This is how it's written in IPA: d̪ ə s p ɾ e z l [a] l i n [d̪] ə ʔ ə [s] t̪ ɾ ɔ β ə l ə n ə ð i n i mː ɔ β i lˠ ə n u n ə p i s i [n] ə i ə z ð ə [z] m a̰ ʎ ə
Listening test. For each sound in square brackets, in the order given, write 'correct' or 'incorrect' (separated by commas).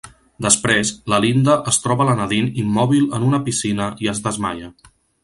incorrect, correct, correct, correct, correct